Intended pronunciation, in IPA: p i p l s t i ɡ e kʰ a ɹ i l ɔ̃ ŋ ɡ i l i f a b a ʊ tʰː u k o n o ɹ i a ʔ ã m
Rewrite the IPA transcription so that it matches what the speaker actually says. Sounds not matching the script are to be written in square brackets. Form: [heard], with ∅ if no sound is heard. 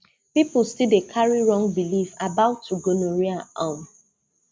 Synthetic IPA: p i p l s t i [d] e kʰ a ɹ i [ɹ] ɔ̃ ŋ [b] i l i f a b a ʊ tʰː u [ɡ] o n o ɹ i a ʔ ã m